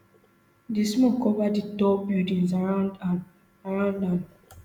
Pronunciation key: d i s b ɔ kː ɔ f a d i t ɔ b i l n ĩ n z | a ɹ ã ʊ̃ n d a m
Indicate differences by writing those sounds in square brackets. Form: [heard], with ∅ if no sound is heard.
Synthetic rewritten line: d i s [m] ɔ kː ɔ [v] a d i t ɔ b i l [d] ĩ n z | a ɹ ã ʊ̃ n d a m